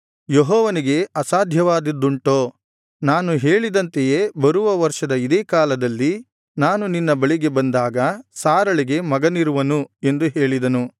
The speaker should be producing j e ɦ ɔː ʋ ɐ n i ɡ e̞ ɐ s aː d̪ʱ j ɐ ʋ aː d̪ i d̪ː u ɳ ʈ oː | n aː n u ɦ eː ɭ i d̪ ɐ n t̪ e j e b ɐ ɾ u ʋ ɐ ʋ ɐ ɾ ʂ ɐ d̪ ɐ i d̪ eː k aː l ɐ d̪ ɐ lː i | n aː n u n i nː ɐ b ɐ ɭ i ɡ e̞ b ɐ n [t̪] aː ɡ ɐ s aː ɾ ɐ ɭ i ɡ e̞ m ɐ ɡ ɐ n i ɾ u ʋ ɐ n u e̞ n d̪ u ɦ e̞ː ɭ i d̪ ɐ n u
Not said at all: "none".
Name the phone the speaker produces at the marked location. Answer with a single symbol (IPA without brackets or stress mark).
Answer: d̪